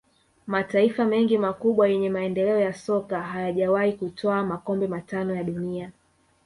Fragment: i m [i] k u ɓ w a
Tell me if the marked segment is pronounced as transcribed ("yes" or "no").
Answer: no